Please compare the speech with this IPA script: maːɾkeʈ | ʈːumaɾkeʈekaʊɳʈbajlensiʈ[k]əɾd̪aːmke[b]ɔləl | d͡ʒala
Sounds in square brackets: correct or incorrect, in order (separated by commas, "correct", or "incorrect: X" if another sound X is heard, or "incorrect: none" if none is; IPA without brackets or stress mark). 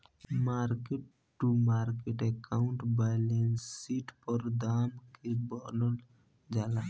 incorrect: p, correct